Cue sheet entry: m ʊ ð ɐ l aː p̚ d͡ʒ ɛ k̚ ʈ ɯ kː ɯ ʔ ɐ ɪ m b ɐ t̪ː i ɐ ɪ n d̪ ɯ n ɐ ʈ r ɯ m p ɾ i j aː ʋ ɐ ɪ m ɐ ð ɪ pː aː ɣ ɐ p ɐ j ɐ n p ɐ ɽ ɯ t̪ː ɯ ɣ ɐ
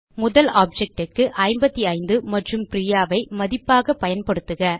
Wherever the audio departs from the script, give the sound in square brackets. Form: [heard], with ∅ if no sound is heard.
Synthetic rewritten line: m ʊ ð ɐ l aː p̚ d͡ʒ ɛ k̚ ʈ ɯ kː ɯ ʔ ɐ ɪ m b ɐ t̪ː i ɐ ɪ n d̪ ɯ [m] ɐ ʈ r ɯ m p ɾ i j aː ʋ ɐ ɪ m ɐ ð ɪ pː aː ɣ ɐ p ɐ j ɐ n p ɐ ɽ ɯ t̪ː ɯ ɣ ɐ

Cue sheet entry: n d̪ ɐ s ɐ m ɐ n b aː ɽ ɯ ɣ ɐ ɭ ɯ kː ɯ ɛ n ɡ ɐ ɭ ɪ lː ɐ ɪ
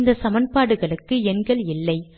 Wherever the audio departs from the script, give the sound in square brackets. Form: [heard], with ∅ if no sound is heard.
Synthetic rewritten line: n d̪ ɐ s ɐ m ɐ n [p] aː ɽ ɯ ɣ ɐ ɭ ɯ kː ɯ ɛ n ɡ ɐ ɭ ɪ lː ɐ ɪ

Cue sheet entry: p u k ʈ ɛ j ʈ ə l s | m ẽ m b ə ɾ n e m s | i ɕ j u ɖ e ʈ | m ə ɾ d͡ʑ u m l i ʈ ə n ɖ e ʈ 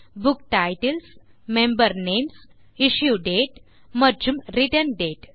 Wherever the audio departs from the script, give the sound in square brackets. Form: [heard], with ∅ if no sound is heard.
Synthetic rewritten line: [b] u k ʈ [a] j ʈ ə l s | m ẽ m b ə ɾ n e m s | i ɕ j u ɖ e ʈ | m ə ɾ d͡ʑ u m [ɾ] i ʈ ə n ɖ e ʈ

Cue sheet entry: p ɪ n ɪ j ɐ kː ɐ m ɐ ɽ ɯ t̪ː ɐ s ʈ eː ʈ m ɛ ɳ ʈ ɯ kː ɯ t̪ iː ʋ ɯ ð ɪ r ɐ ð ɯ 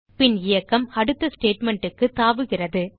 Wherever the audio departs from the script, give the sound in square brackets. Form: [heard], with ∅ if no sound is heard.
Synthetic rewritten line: p ɪ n ɪ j ɐ kː ɐ m ɐ ɽ ɯ t̪ː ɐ s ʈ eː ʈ m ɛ ɳ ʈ ɯ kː ɯ t̪ [aː] ʋ ɯ [ɣ] ɪ r ɐ ð ɯ

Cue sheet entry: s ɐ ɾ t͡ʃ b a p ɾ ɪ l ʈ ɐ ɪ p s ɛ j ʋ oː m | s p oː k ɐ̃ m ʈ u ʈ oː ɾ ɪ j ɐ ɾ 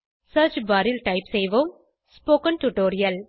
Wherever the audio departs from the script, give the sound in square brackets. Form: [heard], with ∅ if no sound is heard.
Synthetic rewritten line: s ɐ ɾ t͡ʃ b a [∅] ɾ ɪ l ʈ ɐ ɪ p s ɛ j ʋ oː m | s p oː k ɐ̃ [n] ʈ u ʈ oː ɾ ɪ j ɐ [l]

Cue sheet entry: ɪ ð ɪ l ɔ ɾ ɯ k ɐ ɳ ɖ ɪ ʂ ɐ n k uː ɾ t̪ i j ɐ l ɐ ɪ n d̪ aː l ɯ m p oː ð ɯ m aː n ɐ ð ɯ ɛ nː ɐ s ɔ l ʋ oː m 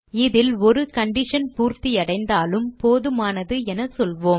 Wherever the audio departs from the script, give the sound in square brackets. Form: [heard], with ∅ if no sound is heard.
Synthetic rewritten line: ɪ ð ɪ l ɔ ɾ ɯ k ɐ ɳ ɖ ɪ ʂ ɐ n [p] uː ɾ t̪ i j ɐ [ɽ] ɐ ɪ n d̪ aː l ɯ m p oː ð ɯ m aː n ɐ ð ɯ ɛ [n] ɐ s ɔ l ʋ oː m

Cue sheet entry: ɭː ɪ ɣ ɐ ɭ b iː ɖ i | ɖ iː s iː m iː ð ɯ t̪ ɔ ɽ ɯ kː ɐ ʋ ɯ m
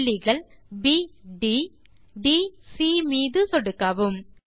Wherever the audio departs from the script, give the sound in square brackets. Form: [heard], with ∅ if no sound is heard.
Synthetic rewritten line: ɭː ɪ ɣ ɐ ɭ b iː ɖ i | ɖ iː s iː m iː ð ɯ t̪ ɔ ɽ ɯ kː ɐ ʋ ɯ m

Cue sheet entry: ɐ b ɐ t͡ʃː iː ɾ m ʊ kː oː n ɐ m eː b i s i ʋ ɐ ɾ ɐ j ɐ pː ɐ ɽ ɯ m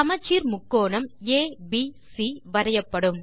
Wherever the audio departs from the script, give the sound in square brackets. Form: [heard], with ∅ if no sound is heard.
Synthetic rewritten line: ɐ [m] ɐ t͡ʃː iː ɾ m ʊ kː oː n ɐ m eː b i s i ʋ ɐ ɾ ɐ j ɐ pː ɐ ɽ ɯ m

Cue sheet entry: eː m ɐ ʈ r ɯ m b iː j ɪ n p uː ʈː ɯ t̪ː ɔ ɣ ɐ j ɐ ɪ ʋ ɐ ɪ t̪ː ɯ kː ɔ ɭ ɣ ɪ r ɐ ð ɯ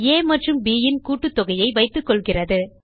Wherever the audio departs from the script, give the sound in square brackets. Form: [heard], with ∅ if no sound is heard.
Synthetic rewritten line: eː m ɐ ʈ r ɯ m b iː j ɪ n [k] uː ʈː ɯ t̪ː ɔ ɣ ɐ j ɐ ɪ ʋ ɐ ɪ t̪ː ɯ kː ɔ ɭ ɣ ɪ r ɐ ð ɯ

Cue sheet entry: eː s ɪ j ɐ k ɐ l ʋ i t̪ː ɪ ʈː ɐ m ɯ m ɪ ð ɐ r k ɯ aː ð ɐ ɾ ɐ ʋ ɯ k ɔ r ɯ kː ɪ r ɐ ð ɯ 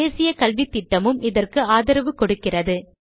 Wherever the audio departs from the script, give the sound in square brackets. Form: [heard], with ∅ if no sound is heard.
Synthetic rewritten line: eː s ɪ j ɐ k ɐ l ʋ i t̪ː ɪ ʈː ɐ m ɯ m ɪ ð ɐ r k ɯ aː ð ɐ ɾ ɐ ʋ ɯ k ɔ [ɽ] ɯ kː ɪ r ɐ ð ɯ

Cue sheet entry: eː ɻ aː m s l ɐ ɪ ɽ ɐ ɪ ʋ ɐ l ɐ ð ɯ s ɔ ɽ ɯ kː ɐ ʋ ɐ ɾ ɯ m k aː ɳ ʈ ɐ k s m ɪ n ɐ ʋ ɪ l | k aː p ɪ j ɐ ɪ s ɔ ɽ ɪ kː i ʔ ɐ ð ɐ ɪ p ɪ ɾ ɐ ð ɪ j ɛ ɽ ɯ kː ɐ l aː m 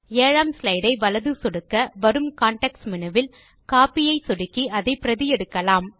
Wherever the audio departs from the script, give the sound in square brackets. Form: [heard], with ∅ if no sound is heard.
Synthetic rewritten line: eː ɻ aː m s l ɐ ɪ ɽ ɐ ɪ ʋ ɐ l ɐ ð ɯ s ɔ ɽ ɯ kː ɐ ʋ ɐ ɾ ɯ m k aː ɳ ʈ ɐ k s m ɪ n ɐ ʋ ɪ l | k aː p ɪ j ɐ ɪ s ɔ ɽ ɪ kː i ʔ ɐ ð ɐ ɪ p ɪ ɾ ɐ ð ɪ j ɛ ɽ ɯ kː ɐ l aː m

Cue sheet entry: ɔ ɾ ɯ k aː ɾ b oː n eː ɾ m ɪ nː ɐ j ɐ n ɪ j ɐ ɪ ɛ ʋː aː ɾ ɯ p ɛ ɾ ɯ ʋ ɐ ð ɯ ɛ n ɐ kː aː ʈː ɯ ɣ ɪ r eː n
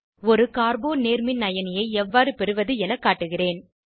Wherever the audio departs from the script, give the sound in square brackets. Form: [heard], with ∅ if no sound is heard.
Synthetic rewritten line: ɔ ɾ ɯ k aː ɾ b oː n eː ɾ m ɪ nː ɐ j ɐ n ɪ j ɐ ɪ ɛ ʋː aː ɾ ɯ p ɛ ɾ ɯ ʋ ɐ ð ɯ ɛ n ɐ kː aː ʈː ɯ ɣ ɪ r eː n

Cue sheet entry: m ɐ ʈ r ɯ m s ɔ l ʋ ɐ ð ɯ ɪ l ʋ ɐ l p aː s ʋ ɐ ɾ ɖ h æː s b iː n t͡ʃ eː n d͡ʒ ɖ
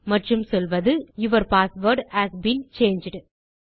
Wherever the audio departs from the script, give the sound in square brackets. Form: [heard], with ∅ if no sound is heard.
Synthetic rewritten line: m ɐ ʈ r ɯ m s ɔ l ʋ ɐ ð ɯ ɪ [∅] ʋ ɐ [ɾ] p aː s ʋ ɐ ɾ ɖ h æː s b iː n t͡ʃ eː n d͡ʒ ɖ

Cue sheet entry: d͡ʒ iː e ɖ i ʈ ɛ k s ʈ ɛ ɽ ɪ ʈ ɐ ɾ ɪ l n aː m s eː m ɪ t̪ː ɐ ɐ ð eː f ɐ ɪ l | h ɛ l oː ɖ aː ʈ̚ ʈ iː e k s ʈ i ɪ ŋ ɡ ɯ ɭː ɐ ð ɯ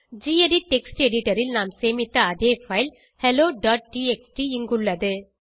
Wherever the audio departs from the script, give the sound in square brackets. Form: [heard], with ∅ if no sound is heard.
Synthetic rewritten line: d͡ʒ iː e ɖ i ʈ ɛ k s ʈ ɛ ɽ ɪ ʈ ɐ ɾ ɪ l n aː m s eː m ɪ t̪ː ɐ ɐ ð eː f ɐ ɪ l | h ɛ l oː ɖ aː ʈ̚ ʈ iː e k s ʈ i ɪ ŋ ɡ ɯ ɭː ɐ ð ɯ

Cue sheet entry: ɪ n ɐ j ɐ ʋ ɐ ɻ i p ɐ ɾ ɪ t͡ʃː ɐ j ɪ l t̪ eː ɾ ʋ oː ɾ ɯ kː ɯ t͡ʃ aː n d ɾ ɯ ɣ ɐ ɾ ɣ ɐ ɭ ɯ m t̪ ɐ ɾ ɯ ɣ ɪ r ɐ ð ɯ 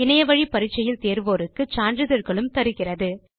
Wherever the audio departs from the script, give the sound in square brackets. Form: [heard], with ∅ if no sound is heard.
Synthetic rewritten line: ɪ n ɐ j ɐ ʋ ɐ ɻ i p ɐ ɾ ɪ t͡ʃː ɐ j ɪ l t̪ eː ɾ ʋ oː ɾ ɯ kː ɯ t͡ʃ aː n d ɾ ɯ [ð] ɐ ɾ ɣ ɐ ɭ ɯ m t̪ ɐ ɾ ɯ ɣ ɪ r ɐ ð ɯ

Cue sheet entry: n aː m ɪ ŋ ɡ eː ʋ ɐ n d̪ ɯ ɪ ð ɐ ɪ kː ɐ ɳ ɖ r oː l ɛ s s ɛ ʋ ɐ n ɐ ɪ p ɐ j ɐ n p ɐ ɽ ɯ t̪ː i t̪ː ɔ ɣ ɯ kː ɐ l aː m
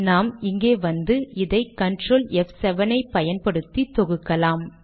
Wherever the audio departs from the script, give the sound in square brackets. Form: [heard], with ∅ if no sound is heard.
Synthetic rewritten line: n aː m ɪ ŋ ɡ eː ʋ ɐ n d̪ ɯ ɪ ð ɐ ɪ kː ɐ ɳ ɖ r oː l ɛ [f] s ɛ ʋ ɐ n ɐ ɪ p ɐ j ɐ n p ɐ ɽ ɯ t̪ː i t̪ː ɔ ɣ ɯ kː ɐ l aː m

